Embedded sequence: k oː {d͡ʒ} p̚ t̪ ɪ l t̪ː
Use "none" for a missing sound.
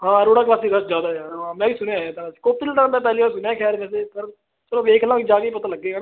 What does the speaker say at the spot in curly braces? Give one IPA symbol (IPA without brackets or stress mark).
none